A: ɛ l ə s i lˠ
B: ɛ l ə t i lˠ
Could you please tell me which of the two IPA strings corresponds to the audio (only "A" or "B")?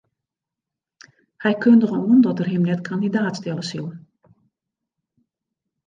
A